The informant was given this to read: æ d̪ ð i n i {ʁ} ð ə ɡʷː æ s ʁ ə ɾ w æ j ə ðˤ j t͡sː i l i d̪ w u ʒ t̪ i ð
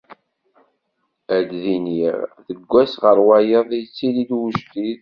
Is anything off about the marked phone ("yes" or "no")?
no